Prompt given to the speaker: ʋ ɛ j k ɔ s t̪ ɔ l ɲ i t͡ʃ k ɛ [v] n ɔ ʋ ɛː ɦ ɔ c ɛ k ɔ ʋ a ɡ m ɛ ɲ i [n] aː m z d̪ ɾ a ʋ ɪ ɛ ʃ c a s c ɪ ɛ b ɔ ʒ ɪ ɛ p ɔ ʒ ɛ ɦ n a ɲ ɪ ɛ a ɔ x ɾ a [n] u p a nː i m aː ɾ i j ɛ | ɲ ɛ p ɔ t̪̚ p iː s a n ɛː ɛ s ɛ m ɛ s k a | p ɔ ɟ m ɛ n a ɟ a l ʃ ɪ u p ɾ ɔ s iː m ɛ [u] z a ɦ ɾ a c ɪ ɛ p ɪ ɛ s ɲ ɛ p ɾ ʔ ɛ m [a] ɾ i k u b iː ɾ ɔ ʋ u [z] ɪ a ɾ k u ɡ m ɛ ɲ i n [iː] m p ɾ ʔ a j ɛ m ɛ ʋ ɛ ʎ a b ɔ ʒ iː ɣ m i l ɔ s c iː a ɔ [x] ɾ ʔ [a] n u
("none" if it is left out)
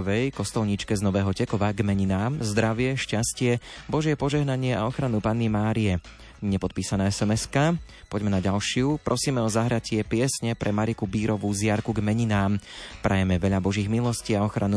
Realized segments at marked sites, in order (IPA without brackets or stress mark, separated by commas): z, n, n, ɔ, a, z, aː, x, a